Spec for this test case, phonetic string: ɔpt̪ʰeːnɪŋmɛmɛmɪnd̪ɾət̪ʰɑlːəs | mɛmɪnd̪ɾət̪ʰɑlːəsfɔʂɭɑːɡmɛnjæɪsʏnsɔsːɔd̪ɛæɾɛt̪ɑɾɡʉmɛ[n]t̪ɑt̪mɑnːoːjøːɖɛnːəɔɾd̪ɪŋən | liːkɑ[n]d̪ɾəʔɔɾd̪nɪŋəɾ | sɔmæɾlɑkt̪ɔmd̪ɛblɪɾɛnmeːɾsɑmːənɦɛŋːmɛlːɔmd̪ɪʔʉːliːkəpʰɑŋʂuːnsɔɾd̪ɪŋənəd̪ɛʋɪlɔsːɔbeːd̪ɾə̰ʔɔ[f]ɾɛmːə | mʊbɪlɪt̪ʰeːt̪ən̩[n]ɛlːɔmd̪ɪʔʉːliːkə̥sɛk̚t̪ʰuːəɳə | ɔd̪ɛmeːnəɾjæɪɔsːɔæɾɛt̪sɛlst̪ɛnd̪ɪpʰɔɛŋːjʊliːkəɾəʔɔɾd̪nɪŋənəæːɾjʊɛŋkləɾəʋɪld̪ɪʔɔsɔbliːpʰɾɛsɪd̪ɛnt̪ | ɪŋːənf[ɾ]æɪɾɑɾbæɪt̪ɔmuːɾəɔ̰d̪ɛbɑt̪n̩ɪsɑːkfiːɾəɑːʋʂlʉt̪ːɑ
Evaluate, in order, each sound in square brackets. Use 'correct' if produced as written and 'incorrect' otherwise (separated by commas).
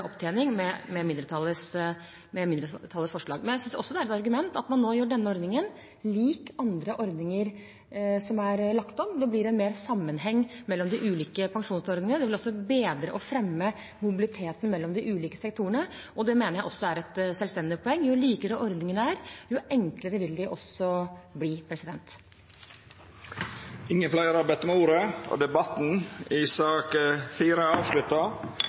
correct, correct, correct, incorrect, incorrect